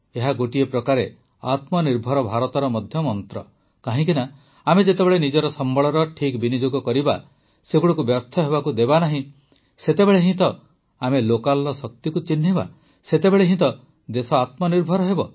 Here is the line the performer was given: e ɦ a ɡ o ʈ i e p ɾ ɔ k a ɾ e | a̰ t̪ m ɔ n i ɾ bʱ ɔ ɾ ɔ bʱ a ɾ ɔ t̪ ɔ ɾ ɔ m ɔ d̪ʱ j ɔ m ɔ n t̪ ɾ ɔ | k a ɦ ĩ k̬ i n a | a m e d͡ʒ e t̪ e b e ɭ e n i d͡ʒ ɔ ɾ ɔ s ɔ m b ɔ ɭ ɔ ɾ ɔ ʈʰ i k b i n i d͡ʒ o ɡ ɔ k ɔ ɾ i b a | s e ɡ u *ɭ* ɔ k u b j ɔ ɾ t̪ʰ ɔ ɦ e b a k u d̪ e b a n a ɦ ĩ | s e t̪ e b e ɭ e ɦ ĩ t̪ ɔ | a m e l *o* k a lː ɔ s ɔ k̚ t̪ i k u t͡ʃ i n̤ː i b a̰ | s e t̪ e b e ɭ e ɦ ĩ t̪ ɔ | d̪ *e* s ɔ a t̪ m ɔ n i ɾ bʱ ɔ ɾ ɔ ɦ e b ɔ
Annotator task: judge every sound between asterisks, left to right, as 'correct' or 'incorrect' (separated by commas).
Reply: incorrect, correct, correct